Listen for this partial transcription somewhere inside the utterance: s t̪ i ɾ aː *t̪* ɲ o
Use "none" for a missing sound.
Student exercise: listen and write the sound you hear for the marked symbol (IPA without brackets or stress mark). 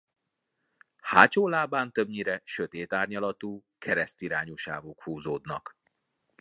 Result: none